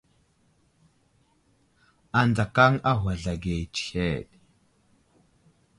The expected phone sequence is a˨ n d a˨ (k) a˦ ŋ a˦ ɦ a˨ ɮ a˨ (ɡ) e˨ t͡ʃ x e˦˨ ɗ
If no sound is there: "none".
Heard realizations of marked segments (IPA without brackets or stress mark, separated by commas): k, ɡ